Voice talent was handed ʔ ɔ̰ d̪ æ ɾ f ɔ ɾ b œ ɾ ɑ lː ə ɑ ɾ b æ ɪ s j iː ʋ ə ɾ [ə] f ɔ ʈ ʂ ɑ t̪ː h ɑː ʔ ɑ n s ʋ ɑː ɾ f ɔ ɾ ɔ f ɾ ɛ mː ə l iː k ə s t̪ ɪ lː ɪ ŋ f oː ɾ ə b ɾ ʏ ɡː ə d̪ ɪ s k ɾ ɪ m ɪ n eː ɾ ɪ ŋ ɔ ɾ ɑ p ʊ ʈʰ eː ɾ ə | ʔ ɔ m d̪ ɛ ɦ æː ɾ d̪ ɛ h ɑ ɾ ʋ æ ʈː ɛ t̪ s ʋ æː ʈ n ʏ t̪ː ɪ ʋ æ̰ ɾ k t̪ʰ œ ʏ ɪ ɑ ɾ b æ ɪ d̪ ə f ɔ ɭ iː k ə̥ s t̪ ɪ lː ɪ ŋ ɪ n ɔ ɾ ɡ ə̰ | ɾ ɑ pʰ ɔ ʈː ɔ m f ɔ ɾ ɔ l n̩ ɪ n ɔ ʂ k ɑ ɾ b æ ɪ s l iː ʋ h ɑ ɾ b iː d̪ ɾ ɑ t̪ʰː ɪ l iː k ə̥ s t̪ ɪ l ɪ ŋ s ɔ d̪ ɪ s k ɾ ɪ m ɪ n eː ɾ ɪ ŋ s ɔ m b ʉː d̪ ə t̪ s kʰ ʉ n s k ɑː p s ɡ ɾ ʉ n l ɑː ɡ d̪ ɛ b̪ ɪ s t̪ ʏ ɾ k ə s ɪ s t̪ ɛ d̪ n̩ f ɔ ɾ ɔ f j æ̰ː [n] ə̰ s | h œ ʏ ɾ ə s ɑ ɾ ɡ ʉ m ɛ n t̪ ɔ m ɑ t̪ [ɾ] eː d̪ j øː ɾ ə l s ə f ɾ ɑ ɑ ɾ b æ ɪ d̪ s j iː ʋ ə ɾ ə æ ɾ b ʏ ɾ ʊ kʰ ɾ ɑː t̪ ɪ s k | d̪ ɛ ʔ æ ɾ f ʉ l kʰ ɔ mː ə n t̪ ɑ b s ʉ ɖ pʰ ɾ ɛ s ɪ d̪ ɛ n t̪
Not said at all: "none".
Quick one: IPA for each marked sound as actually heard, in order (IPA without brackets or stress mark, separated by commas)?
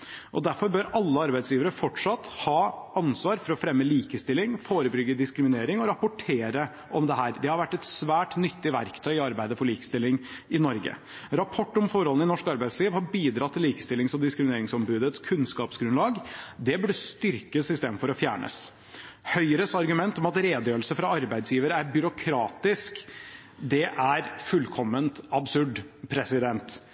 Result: ə, ɳ, ɾ